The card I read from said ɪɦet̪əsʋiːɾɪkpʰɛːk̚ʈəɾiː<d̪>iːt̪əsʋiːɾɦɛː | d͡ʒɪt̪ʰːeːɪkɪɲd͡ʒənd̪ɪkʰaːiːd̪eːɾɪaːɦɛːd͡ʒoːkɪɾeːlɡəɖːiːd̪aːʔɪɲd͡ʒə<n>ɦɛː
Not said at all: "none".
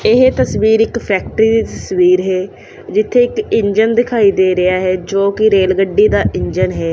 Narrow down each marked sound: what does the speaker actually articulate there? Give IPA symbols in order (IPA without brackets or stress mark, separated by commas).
d̪, n